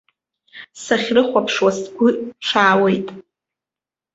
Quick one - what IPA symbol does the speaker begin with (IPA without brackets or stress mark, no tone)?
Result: s